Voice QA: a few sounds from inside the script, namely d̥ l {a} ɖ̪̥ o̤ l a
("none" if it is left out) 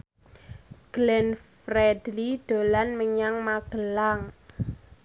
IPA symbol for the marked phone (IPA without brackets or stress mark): i